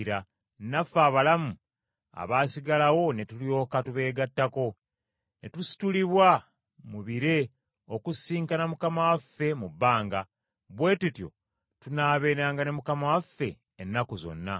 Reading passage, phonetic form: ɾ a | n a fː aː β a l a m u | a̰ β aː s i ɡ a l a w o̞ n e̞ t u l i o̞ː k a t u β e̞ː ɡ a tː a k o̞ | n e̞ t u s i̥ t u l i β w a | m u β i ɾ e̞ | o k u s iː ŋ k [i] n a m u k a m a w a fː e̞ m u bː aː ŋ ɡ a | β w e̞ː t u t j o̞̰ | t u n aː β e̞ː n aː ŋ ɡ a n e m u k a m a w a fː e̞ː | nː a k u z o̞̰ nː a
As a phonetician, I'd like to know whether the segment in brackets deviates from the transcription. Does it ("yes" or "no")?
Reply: yes